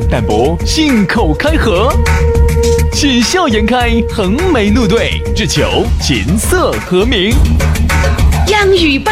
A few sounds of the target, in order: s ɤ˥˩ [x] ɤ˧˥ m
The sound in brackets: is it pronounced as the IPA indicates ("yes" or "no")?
yes